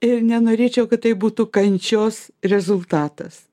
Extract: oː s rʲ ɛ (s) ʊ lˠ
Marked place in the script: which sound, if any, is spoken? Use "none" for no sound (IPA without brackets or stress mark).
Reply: z